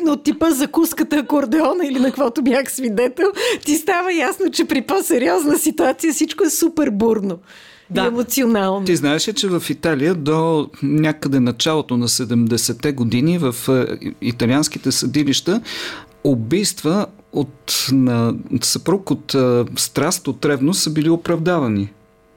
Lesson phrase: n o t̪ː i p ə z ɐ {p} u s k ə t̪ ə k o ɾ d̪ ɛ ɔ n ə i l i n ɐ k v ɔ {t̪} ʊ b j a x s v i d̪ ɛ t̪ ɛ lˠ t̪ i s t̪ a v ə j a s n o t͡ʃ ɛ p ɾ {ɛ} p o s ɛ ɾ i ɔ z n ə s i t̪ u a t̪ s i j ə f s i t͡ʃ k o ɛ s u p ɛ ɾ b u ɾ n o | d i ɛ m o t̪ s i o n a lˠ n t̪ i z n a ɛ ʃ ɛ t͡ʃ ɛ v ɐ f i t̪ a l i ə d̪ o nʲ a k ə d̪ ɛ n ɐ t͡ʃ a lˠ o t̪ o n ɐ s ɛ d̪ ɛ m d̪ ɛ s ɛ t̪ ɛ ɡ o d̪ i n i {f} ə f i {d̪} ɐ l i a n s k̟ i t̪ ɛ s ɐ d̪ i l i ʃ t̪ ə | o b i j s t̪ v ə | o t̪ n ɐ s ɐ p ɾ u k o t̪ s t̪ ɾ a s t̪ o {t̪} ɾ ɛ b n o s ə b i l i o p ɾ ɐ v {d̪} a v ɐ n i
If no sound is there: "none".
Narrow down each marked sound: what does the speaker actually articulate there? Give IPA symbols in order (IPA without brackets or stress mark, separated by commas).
k, t̪, i, v, t̪, t̪, d̪